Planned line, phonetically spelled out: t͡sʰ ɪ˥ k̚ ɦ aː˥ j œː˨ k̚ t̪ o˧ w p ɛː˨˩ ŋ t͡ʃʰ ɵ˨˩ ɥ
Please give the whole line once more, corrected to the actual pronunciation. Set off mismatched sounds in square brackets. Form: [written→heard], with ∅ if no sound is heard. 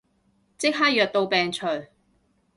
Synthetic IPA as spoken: [t͡sʰ→t͡s] ɪ˥ k̚ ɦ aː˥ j œː˨ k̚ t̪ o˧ w p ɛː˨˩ ŋ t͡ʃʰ ɵ˨˩ ɥ